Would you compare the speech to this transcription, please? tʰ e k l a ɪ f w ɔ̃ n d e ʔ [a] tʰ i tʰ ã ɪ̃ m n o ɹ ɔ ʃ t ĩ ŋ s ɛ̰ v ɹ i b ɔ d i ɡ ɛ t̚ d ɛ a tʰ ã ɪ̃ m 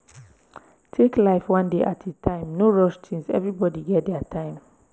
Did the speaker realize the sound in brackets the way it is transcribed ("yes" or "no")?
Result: yes